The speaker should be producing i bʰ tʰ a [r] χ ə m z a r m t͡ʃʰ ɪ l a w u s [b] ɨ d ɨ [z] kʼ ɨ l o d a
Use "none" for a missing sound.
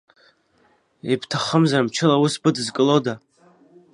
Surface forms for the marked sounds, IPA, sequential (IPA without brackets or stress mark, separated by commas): none, b, z